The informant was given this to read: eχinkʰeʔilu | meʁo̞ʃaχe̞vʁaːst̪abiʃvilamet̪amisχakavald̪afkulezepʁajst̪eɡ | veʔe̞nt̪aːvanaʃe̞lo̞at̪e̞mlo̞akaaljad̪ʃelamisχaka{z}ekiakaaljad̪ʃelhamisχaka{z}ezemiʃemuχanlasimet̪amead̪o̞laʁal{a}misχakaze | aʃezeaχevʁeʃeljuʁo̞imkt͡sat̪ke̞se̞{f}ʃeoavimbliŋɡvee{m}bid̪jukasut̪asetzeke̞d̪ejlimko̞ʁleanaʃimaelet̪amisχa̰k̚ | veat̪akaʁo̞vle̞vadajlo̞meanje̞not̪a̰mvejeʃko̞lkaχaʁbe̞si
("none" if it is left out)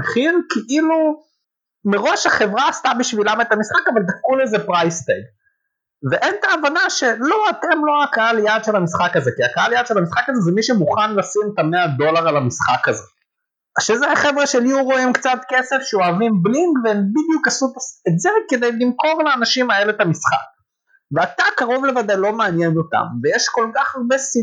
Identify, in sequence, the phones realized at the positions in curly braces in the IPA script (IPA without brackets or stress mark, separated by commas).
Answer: z, z, a, f, m